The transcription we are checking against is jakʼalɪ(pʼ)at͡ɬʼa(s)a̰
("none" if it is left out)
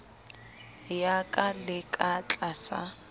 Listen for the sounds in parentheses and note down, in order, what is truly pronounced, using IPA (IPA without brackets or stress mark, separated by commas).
kʼ, s